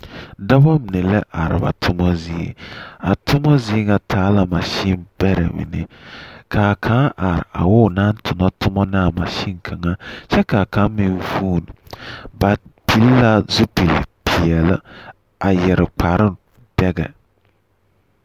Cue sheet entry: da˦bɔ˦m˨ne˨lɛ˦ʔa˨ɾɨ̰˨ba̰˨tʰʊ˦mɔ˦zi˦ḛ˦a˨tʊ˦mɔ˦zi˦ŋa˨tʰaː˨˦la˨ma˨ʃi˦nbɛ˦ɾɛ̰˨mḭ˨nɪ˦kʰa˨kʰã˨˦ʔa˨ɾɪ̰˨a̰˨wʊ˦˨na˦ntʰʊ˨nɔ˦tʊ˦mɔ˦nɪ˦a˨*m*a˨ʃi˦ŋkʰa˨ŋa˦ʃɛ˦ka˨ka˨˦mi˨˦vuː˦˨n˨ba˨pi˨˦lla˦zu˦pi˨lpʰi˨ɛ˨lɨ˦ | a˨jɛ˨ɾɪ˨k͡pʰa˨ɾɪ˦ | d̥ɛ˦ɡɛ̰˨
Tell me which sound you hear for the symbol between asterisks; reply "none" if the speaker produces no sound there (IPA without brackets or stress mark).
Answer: m